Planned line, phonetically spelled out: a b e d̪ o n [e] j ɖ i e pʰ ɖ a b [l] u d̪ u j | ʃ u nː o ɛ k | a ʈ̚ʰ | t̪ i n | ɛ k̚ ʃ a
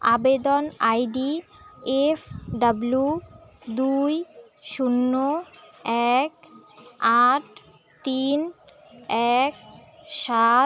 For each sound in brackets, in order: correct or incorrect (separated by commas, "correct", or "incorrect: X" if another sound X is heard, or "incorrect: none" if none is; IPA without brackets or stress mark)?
incorrect: a, correct